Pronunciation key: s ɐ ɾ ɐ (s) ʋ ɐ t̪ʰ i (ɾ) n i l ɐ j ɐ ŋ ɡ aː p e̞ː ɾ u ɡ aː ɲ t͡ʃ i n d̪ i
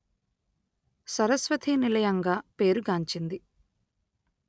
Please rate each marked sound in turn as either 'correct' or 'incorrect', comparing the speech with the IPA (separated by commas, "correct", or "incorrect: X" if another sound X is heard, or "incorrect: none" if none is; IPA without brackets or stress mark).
correct, incorrect: none